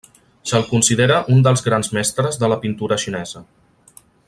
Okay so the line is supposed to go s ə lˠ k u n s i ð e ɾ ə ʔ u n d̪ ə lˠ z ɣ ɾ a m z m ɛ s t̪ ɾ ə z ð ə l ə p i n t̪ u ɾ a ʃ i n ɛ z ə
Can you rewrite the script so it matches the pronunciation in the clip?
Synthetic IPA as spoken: s ə lˠ k u n s i ð e ɾ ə ʔ u n d̪ ə lˠ z ɣ ɾ a n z m ɛ s t̪ ɾ ə z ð ə l ə p i n t̪ u ɾ ə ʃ i n ɛ z ə

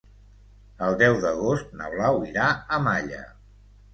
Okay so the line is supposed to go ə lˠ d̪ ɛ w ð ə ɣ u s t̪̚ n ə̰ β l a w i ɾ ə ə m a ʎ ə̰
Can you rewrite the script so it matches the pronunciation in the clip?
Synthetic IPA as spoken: ə lˠ d̪ ɛ w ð ə ɣ o s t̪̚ n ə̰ β l a w i ɾ a ə m a ʎ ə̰

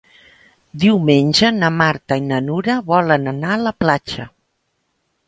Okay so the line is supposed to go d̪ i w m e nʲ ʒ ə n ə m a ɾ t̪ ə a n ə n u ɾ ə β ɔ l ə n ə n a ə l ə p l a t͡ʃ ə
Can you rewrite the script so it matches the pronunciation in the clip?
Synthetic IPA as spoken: d̪ i w m e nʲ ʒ ə n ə m a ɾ t̪ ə i n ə n u ɾ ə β ɔ l ə n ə n a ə l ə p l a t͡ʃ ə

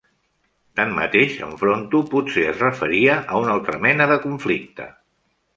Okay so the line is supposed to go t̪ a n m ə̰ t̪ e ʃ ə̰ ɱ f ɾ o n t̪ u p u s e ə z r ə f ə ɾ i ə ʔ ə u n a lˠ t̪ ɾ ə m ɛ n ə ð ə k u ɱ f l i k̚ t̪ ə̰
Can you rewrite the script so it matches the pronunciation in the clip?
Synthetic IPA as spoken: t̪ a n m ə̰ t̪ e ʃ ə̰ ɱ f ɾ o n t̪ u p u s e ə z r ə f ə ɾ i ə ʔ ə u n a lˠ t̪ ɾ ə m ɛ n ə ð ə k u ɱ f l i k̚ t̪ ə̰

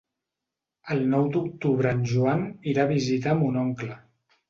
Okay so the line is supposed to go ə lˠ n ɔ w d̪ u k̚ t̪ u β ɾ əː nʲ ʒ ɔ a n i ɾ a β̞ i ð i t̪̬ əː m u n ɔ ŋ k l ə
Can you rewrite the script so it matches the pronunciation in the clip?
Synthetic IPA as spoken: ə lˠ n ɔ w d̪ u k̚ t̪ u β ɾ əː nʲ ʒ u a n i ɾ a β̞ i z i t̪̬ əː m u n ɔ ŋ k l ə

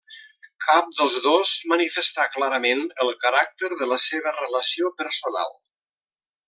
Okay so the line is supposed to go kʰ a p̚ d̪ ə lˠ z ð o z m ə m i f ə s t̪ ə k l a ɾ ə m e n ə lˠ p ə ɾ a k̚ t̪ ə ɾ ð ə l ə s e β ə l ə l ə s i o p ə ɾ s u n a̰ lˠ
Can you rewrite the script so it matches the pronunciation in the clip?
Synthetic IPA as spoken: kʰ a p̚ d̪ ə lˠ z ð o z m ə n i f ə s t̪ a k l a ɾ ə m e n ə lˠ k ə ɾ a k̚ t̪ ə ɾ ð ə l ə s e β ə r ə l ə s i o p ə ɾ s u n a̰ lˠ

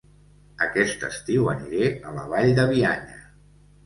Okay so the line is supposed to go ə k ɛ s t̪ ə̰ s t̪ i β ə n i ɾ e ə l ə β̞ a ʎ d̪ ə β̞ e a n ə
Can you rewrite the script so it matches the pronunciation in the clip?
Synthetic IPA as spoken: ə k ɛ s t̪ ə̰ s t̪ i w ə n i ɾ e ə l ə β̞ a ʎ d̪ ə β̞ i a ɲ ə

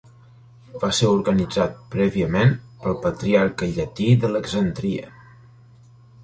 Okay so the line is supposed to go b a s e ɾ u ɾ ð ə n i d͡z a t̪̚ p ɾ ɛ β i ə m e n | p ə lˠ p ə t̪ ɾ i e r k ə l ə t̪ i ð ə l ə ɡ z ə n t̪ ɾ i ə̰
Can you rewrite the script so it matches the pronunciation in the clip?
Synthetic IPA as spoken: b a s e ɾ u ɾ ɣ ə n i d͡z a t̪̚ p ɾ ɛ β i ə m e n | p ə lˠ p ə t̪ ɾ i a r k ə ʎ ə t̪ i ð ə l ə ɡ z ə n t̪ ɾ i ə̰

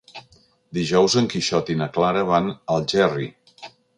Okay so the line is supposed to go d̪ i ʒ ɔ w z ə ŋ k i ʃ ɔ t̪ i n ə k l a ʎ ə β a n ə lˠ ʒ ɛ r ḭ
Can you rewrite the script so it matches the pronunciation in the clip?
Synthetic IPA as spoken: d̪ i ʒ ɔ w z ə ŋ k i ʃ ɔ t̪ i n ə k l a ɾ ə β a n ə lˠ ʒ ɛ r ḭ

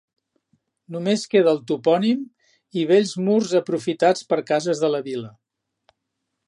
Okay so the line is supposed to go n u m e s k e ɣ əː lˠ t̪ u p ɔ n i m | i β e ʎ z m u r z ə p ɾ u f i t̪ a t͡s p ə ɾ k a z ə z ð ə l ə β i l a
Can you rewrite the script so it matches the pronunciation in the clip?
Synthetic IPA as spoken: n u m e s k e ð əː lˠ t̪ u p ɔ n i m | i β e ʎ z m u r z ə p ɾ u f i t̪ a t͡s p ə ɾ k a z ə z ð ə l ə β i l ə

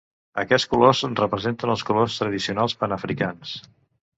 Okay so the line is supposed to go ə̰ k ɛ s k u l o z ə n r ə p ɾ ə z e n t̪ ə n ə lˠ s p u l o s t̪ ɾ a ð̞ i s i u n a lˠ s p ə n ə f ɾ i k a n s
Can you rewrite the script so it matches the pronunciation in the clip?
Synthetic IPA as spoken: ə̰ k ɛ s k u l o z ə n r ə p ɾ ə z e n t̪ ə n ə lˠ s k u l o s t̪ ɾ ə ð̞ i s i u n a lˠ s p ə n ə f ɾ i k a n s

